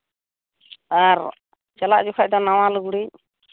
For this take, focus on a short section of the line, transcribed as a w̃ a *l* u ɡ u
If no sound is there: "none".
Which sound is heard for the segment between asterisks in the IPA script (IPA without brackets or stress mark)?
l